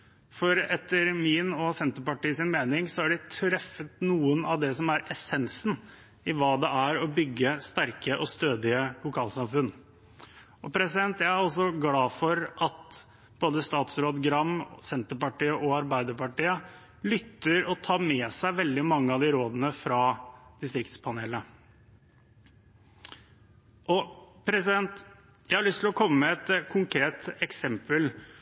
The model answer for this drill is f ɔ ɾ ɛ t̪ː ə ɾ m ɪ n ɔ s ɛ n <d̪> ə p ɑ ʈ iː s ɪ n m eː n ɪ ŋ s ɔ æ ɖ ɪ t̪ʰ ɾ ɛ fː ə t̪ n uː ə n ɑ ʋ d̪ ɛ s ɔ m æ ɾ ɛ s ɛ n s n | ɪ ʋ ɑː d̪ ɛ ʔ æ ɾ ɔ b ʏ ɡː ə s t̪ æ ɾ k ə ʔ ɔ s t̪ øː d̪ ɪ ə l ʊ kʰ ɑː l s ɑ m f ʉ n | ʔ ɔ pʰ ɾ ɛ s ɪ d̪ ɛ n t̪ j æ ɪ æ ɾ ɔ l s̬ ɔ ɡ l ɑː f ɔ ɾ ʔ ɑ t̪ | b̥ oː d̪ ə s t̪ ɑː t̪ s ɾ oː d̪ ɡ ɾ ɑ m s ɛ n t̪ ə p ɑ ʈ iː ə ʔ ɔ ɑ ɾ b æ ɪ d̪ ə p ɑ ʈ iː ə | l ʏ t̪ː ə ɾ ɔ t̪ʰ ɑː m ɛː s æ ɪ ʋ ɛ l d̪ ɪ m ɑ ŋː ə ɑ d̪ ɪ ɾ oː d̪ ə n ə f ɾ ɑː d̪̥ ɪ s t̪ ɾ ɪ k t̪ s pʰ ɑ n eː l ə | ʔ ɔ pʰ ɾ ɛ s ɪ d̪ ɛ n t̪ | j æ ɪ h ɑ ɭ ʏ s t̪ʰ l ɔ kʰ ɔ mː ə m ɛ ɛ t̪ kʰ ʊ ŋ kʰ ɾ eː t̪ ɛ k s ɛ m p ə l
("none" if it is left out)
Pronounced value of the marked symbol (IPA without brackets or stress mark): t̪